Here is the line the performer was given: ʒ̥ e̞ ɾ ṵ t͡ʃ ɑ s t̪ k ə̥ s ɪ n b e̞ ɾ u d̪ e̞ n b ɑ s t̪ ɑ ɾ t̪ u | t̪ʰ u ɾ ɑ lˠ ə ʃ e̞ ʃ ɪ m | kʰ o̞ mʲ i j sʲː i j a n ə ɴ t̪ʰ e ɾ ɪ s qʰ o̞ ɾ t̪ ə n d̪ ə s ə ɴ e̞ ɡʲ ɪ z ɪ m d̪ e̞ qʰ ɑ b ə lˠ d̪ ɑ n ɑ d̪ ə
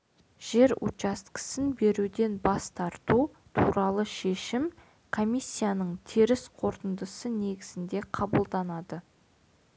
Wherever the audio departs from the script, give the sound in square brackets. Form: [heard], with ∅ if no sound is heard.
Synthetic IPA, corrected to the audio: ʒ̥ e̞ ɾ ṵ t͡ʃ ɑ s t̪ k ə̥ s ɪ n b e̞ ɾ u d̪ e̞ n b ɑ s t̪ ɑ ɾ t̪ u | t̪ʰ u ɾ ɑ lˠ ə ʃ e̞ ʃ ɪ m | kʰ o̞ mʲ i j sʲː i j a n ə ɴ t̪ʰ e ɾ ɪ s qʰ o̞ ɾ t̪ ə n d̪ ə s ə [n] e̞ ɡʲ ɪ z ɪ [n] d̪ e̞ qʰ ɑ b ə lˠ d̪ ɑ n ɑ d̪ ə